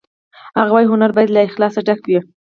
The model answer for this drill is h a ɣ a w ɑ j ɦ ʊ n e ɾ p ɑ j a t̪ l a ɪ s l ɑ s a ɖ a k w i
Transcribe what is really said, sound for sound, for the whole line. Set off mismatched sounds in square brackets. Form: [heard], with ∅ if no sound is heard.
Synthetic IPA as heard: h a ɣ a w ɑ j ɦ ʊ n [a] ɾ [b] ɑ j a [d̪] l a ɪ [x] l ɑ s a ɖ a k w i